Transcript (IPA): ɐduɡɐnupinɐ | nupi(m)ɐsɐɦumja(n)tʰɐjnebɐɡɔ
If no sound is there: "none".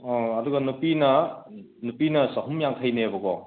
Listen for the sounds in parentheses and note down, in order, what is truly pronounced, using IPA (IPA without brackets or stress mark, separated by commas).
n, ŋ